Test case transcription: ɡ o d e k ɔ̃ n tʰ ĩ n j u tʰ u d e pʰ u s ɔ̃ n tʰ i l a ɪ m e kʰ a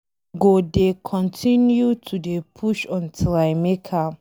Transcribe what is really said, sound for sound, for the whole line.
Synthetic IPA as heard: ɡ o d e kʰ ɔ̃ n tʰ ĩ n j u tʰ u d e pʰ u ʃ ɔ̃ n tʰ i l a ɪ m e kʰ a